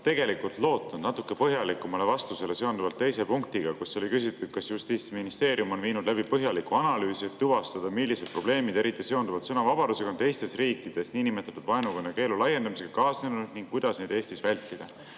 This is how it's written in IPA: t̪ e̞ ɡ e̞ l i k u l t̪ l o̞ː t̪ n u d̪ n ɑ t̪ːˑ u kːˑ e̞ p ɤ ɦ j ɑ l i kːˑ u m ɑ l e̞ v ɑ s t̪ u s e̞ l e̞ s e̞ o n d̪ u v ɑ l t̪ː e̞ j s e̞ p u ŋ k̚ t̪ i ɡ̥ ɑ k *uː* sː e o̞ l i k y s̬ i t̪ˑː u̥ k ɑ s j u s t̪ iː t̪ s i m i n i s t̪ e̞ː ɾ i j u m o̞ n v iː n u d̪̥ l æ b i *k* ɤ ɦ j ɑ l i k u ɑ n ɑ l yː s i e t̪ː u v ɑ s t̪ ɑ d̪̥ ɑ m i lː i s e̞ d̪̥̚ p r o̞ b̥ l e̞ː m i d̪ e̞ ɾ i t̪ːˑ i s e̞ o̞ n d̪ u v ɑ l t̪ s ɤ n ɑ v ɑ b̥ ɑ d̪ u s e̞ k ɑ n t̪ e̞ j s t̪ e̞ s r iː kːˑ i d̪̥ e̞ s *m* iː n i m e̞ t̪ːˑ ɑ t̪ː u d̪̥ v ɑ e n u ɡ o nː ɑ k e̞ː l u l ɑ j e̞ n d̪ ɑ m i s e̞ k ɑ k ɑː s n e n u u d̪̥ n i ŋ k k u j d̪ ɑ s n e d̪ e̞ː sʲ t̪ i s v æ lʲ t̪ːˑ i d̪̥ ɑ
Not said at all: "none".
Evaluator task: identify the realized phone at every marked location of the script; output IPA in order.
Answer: u, p, n

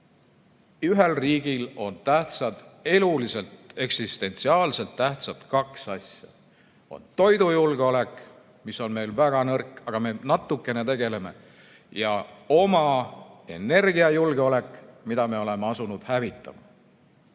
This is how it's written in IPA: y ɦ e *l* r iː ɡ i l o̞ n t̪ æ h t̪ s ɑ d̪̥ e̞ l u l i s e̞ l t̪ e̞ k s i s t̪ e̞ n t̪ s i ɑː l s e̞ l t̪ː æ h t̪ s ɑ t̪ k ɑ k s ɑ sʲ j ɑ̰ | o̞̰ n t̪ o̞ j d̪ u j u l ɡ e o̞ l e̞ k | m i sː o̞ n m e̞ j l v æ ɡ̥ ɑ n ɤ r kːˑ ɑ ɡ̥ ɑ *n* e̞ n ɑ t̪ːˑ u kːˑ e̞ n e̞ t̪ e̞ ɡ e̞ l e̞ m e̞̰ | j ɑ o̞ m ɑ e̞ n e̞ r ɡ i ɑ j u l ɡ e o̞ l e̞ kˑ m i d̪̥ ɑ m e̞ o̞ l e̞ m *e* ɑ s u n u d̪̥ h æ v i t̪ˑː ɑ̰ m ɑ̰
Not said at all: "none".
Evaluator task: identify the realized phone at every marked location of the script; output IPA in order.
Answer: l, m, e

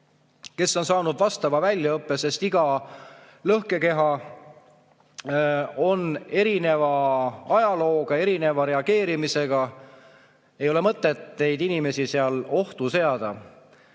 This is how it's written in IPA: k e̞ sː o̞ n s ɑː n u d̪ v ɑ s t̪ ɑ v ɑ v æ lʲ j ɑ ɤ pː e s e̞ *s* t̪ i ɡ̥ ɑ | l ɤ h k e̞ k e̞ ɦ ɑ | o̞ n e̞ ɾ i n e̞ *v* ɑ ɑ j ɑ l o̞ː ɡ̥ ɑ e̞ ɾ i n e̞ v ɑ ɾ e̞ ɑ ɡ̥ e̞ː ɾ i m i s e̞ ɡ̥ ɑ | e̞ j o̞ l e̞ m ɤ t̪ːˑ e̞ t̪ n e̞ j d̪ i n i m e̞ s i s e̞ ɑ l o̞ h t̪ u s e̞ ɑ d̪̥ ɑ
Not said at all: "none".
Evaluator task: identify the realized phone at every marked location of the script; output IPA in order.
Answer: s, v

